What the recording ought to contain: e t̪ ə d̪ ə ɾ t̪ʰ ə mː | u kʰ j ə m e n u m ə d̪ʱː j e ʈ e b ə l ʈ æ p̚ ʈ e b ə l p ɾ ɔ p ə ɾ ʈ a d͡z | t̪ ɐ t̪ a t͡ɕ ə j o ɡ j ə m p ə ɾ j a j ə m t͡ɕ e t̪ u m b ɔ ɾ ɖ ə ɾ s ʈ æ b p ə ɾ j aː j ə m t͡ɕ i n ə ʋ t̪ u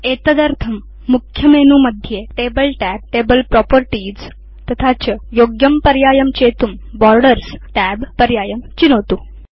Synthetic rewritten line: e t̪ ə d̪ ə ɾ t̪ʰ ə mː | u kʰ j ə m e n u m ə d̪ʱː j e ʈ e b ə l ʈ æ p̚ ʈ e b ə l p ɾ ɔ p ə ɾ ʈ i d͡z | t̪ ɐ t̪ʰ a t͡ɕ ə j o ɡ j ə m p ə ɾ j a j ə m t͡ɕ e t̪ u m b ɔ ɾ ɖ ə ɾ s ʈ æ b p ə ɾ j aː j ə m t͡ɕ i n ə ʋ t̪ u